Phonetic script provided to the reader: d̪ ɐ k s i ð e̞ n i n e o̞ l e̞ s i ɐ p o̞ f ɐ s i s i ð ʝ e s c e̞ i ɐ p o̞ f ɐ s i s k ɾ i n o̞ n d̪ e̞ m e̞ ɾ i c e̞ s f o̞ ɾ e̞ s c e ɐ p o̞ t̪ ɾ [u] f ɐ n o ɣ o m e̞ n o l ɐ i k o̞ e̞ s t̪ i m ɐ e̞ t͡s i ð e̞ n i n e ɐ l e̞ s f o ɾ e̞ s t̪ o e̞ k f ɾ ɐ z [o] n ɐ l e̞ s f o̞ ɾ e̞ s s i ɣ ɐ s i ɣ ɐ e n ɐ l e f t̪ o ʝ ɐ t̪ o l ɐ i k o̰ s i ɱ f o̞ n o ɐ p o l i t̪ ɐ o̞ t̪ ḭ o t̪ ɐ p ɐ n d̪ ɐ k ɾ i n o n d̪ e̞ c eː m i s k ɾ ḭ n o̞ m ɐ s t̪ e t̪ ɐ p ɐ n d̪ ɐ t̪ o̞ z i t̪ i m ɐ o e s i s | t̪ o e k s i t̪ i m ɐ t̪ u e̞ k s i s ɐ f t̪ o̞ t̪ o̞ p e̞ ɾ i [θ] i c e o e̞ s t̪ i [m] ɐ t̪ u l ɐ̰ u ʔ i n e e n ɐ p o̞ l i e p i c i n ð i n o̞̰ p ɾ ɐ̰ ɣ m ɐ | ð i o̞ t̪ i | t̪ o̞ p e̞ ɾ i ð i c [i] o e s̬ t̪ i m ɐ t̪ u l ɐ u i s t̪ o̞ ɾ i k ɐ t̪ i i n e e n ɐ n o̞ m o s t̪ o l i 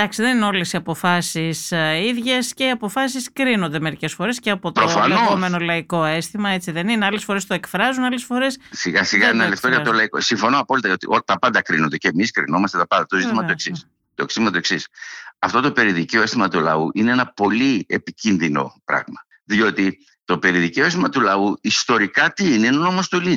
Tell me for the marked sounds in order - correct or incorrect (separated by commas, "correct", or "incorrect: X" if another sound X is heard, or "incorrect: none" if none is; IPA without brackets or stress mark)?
incorrect: o, incorrect: u, incorrect: ð, correct, incorrect: e